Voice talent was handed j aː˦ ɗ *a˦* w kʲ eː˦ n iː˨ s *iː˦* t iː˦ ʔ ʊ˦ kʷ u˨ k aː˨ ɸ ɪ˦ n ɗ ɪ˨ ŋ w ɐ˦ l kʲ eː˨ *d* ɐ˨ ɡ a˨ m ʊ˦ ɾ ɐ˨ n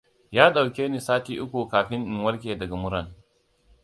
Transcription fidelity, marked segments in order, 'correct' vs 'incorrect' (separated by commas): incorrect, incorrect, correct